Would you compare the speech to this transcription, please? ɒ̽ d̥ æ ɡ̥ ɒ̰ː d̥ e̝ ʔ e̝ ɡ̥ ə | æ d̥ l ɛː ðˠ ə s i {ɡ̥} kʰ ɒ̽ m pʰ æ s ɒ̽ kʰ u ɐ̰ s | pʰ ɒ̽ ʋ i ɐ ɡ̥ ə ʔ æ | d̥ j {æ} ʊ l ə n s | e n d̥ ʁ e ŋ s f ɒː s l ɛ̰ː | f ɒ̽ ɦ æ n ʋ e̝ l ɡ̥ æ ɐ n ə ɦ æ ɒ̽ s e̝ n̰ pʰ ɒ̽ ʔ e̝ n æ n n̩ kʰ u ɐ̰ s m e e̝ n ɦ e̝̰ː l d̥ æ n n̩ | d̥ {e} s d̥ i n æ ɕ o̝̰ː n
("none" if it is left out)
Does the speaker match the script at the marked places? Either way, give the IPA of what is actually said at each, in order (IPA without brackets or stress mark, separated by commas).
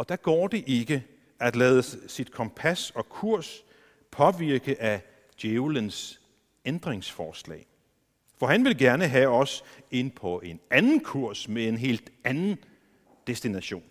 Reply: d̥, e, e